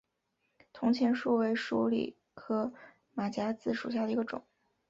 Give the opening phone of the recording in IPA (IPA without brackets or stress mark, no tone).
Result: t̪ʰ